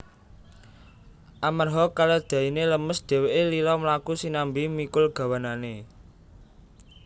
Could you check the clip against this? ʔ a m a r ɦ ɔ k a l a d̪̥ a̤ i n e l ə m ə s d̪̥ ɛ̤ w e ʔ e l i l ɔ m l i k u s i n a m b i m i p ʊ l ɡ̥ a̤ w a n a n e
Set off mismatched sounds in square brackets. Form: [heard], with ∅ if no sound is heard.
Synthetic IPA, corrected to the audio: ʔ a m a r ɦ ɔ k a l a d̪̥ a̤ i n e l ə m ə s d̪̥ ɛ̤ w e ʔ e l i l ɔ m l [a] k u s i n a m b i m i [k] ʊ l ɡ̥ a̤ w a n a n e